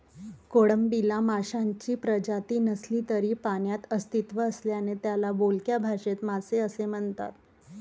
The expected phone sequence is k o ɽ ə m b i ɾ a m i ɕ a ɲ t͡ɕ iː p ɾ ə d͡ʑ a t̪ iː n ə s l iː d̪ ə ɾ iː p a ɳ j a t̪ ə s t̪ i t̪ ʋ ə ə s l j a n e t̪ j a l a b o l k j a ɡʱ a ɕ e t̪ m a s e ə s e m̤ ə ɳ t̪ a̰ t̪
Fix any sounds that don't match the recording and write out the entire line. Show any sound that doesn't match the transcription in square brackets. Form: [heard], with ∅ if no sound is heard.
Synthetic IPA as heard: k o ɽ ə m b i [l] a m [a] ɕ a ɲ t͡ɕ iː p ɾ ə d͡ʑ a t̪ iː n ə s l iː [t̪] ə ɾ iː p a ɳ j a t̪ ə s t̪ i t̪ ʋ ə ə s l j a n e t̪ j a l a b o l k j a [bʱ] a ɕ e t̪ m a s e ə s e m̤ ə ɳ t̪ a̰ t̪

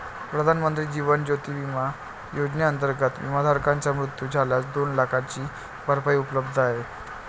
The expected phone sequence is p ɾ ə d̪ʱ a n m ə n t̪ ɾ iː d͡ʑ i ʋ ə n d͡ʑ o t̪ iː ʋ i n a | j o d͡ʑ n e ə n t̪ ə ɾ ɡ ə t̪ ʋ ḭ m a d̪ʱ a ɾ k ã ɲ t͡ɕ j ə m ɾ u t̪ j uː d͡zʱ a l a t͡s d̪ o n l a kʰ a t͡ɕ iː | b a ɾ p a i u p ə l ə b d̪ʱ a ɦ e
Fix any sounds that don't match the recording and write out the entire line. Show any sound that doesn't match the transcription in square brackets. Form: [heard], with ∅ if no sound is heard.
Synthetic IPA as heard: p ɾ ə d̪ʱ a n m ə n t̪ ɾ iː d͡ʑ i ʋ ə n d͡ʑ o t̪ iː ʋ i [m] a | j o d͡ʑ n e ə n t̪ ə ɾ ɡ ə t̪ ʋ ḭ m a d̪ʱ a ɾ k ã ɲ t͡ɕ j [a] m ɾ u t̪ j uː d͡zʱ a l a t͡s d̪ o n l a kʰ a t͡ɕ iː | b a ɾ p a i u p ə l ə b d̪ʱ a ɦ e

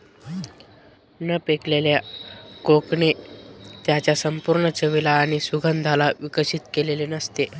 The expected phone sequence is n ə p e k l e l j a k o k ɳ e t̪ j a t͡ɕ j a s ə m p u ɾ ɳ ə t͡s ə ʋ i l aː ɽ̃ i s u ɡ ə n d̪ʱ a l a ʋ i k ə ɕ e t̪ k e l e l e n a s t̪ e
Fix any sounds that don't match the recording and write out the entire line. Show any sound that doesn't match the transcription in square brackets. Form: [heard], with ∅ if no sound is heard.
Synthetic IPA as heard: n ə p e k l e l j a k o k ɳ e t̪ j a t͡ɕ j a s ə m p u ɾ ɳ ə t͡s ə ʋ i l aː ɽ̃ i s u ɡ ə n d̪ʱ a l a ʋ i k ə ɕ [i] t̪ k e l e l e n [ə] s t̪ e

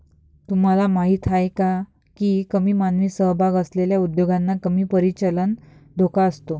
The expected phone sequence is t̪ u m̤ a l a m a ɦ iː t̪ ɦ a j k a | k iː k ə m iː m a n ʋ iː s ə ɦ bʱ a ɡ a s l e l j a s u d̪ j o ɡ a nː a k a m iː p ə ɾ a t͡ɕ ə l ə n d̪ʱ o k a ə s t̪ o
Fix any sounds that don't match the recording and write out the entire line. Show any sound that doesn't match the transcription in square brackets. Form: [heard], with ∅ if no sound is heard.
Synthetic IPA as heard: t̪ u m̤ a l a m a ɦ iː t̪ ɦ a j k a | k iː k ə m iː m a n ʋ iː s ə ɦ bʱ a ɡ [ə] s l e l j a [∅] u d̪ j o ɡ a nː a k [ə] m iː p ə ɾ [i] t͡ɕ ə l ə n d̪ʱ o k a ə s t̪ o

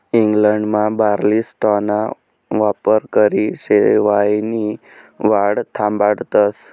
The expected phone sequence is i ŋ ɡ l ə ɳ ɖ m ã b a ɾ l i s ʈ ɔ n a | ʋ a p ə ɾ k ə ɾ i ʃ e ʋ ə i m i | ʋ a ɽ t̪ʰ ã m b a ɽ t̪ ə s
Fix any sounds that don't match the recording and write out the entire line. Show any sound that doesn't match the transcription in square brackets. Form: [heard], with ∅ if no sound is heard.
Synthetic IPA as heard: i ŋ ɡ l ə ɳ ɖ m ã b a ɾ l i s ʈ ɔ n a | ʋ a p ə ɾ k ə ɾ i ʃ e ʋ [a] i [n] i | ʋ a ɽ t̪ʰ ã m b a ɽ t̪ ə s

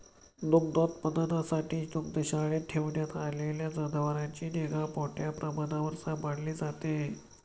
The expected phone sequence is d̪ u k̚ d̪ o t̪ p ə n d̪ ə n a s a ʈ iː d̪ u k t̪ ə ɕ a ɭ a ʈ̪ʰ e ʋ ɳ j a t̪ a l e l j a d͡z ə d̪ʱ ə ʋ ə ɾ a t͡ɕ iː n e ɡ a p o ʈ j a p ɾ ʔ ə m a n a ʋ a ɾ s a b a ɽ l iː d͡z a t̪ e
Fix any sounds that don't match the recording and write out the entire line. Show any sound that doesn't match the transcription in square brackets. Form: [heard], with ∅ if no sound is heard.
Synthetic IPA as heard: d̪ u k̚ d̪ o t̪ p ə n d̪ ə n a s a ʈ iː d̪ u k [d̪] ə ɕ a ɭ [e] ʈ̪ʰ e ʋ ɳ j a t̪ a l e l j a d͡z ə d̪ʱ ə ʋ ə ɾ a t͡ɕ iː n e ɡ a p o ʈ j a p ɾ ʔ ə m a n a ʋ [ə] ɾ s a b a ɽ l iː d͡z a t̪ e

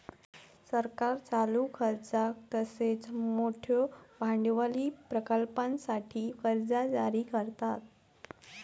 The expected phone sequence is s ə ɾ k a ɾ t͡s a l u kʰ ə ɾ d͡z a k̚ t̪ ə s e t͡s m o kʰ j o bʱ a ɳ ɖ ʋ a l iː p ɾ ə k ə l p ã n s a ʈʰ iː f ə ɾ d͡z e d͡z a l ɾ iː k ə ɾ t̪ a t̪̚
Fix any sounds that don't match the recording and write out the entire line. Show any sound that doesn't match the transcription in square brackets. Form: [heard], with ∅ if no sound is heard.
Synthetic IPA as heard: s ə ɾ k a ɾ t͡s a l u kʰ ə ɾ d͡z a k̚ t̪ ə s e t͡s m o [ʈʰ] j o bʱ a ɳ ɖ ʋ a l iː p ɾ ə k ə l p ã n s a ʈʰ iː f ə ɾ d͡z [a] d͡z a [∅] ɾ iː k ə ɾ t̪ a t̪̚

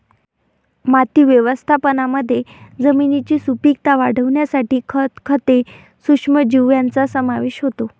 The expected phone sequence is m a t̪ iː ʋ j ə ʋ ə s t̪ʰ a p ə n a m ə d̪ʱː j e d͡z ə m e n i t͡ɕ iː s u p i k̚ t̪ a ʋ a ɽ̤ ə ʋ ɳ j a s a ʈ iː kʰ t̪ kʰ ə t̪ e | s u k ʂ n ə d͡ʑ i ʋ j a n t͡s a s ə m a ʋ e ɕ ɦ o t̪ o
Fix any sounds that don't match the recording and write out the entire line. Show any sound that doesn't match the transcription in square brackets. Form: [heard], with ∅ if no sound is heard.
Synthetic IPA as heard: m a t̪ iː ʋ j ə ʋ ə s t̪ʰ a p ə n a m ə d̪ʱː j e d͡z ə m [i] n i t͡ɕ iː s u p i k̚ t̪ a ʋ a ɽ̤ ə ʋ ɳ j a s a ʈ iː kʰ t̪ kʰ ə t̪ e | s u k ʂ [m] ə d͡ʑ i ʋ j a n t͡s a s ə m a ʋ e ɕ ɦ o t̪ o

